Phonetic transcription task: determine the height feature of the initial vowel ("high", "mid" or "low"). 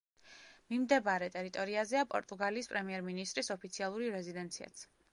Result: high